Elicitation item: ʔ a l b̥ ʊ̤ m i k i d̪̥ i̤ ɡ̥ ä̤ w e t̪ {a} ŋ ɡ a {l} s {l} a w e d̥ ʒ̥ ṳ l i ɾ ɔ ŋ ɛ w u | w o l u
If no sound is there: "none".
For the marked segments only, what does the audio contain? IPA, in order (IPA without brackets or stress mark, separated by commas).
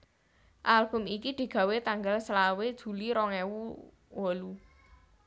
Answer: a, l, l